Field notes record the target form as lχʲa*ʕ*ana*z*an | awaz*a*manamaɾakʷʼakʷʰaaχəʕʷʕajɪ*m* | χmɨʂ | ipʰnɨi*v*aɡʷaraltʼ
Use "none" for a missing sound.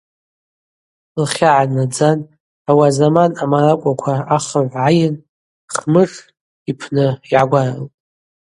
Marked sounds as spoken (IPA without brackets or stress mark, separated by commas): ʕ, d͡z, a, n, ʕ